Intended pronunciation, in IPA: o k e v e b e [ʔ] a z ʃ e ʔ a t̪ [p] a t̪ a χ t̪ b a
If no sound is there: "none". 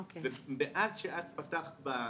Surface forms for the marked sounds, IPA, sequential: ʔ, p

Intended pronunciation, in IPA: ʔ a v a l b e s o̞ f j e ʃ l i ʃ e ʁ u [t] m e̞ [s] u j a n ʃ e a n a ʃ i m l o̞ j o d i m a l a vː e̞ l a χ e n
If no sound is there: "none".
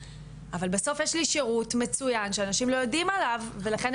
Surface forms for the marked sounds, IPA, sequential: t, t͡s

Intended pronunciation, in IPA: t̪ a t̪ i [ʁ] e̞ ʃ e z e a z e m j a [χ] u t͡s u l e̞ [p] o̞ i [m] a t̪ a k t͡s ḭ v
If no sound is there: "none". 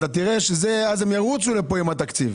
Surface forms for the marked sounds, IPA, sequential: ʁ, ʁ, p, m

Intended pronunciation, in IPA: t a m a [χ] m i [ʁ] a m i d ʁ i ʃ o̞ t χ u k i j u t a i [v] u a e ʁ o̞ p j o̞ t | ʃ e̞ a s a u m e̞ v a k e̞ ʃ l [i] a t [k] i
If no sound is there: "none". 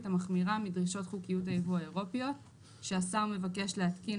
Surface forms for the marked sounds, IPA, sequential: χ, ʁ, v, e, k

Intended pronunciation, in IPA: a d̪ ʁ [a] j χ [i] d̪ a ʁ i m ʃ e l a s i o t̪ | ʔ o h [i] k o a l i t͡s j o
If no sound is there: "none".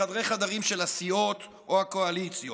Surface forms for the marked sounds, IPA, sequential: e, a, a

